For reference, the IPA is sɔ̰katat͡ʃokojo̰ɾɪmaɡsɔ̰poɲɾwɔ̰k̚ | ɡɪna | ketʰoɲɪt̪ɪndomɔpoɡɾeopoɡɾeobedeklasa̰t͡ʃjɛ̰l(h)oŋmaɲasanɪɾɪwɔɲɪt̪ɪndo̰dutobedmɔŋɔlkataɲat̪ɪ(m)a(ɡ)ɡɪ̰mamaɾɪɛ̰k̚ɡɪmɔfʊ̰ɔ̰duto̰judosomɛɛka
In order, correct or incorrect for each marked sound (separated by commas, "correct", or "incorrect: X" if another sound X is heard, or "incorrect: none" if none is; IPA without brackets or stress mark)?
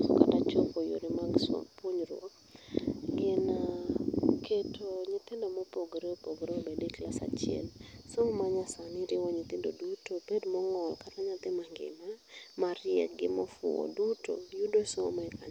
incorrect: s, correct, incorrect: ŋ